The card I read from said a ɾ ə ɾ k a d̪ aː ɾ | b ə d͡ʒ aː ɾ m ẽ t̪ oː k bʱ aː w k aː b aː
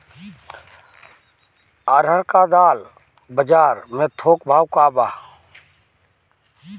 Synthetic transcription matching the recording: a ɾ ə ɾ k a d̪ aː l | b ə d͡ʒ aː ɾ m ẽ t̪ʰ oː k bʱ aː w k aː b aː